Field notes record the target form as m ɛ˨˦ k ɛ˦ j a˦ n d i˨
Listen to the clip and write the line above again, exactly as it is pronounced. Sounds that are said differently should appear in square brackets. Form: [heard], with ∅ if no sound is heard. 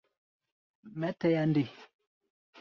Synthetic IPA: m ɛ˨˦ [t] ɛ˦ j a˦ n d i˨

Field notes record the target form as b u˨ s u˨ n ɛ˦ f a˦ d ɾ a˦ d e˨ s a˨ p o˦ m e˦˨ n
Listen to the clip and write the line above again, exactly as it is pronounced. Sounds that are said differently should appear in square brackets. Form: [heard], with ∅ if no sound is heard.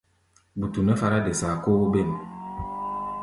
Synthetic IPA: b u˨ [t] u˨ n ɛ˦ f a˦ [∅] ɾ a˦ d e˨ s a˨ [k] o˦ [b] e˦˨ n

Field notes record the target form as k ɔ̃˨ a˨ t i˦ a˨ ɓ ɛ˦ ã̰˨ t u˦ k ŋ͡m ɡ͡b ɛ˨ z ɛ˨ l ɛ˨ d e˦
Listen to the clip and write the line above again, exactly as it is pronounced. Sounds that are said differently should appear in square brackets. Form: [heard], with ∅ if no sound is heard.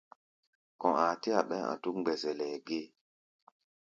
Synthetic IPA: k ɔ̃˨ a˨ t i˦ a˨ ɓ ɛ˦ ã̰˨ t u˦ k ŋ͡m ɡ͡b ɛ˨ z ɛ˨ l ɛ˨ [ɡ] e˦

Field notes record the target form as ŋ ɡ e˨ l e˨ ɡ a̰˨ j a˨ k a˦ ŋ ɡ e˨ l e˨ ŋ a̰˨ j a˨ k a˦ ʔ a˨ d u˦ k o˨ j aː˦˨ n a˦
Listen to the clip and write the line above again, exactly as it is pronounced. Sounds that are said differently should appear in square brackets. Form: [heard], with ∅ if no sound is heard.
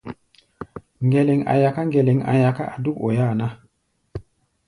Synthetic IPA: ŋ ɡ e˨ l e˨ [ŋ] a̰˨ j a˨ k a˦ ŋ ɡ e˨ l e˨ ŋ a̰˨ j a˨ k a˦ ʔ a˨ d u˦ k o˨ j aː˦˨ n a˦

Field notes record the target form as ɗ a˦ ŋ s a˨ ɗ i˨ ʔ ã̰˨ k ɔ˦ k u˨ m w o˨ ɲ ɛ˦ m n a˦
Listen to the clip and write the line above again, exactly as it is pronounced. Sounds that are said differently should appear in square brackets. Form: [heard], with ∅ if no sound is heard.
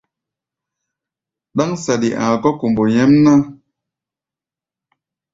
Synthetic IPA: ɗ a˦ ŋ s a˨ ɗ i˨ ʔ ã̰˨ k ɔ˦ k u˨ m [b] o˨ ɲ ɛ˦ m n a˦

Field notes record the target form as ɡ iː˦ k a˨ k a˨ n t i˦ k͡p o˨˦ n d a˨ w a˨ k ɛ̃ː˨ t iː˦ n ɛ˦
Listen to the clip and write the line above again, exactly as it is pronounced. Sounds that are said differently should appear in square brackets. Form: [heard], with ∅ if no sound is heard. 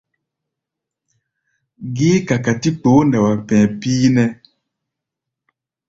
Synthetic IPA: ɡ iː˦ k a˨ k a˨ [∅] t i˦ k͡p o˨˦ n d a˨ w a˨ [p] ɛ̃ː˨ [p] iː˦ n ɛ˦

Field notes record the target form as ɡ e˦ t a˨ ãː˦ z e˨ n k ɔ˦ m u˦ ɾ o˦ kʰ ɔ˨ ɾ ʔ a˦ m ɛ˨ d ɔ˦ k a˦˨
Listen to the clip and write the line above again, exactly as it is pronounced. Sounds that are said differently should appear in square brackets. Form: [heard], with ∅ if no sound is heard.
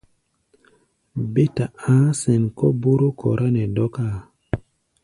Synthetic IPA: [b] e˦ t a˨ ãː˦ [s] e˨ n k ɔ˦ [b] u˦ ɾ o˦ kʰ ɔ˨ ɾ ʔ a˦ [n] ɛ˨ d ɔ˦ k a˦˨

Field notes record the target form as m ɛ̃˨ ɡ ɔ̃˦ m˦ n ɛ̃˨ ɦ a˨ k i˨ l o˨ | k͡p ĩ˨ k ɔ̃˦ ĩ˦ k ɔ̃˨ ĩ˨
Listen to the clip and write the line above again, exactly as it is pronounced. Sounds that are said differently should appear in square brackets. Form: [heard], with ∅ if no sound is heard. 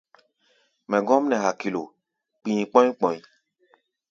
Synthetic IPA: m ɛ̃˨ ɡ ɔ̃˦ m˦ n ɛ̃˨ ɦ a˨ k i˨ l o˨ | k͡p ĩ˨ [k͡p] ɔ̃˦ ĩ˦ [k͡p] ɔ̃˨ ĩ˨

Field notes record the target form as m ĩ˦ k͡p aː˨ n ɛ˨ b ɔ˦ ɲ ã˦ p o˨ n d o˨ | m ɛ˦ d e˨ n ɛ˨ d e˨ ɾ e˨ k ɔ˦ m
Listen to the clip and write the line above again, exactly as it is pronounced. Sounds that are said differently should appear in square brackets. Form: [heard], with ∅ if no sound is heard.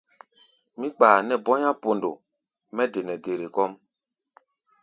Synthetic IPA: m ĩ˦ k͡p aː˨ n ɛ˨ b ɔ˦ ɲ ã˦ p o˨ n d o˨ | m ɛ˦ d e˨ n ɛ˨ d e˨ ɾ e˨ k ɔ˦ m

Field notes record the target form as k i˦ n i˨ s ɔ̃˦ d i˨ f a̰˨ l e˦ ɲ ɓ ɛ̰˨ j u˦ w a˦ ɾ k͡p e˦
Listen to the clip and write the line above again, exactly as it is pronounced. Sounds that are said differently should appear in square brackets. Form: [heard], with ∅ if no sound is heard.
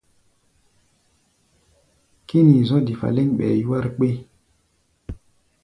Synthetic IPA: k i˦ n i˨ [z] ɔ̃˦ d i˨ f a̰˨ l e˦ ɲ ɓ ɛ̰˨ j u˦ w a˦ ɾ k͡p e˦

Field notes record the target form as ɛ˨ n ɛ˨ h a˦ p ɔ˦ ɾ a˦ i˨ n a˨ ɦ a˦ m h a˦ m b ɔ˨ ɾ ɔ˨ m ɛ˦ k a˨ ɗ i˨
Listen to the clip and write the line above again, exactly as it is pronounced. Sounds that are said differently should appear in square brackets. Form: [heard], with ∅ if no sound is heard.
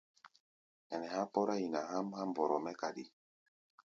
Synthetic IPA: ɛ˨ n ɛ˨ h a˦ p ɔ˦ ɾ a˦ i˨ n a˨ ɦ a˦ m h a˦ m b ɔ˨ ɾ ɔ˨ m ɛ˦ k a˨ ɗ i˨

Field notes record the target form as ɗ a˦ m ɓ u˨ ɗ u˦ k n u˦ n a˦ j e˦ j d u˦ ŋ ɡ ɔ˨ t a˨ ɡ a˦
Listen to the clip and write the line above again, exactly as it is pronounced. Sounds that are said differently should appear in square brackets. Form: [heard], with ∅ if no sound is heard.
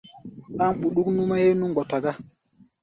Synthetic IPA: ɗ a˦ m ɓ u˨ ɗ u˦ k n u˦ [m] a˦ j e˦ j [n] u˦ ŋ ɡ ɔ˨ t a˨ ɡ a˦

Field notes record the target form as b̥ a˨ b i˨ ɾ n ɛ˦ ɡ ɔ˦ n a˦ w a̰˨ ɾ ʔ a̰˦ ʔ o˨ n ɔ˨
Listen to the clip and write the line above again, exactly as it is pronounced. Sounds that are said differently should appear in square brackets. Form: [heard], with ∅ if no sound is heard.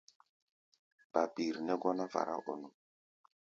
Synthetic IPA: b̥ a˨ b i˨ ɾ n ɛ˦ ɡ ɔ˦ n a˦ [v] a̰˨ ɾ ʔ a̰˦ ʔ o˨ n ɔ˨

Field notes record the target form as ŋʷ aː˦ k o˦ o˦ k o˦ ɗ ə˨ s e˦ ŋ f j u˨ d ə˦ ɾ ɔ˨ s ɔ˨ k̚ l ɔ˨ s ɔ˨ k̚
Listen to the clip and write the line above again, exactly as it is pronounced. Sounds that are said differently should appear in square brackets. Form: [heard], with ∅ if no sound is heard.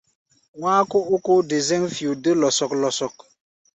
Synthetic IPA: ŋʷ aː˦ k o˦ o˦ k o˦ [d] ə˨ [z] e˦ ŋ f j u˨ d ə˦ [l] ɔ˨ s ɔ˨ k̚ l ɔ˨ s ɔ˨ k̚

